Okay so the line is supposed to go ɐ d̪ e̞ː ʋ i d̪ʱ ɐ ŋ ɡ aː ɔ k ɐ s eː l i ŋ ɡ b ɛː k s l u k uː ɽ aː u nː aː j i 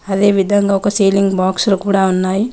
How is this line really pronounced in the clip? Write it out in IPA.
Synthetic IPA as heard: ɐ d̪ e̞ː ʋ i d̪ʱ ɐ ŋ ɡ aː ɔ k ɐ s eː l i ŋ ɡ b aː k s l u k uː ɽ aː u nː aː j i